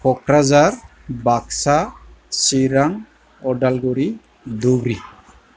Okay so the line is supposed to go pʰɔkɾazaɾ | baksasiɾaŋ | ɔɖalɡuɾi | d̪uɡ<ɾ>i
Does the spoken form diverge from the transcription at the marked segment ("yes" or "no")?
no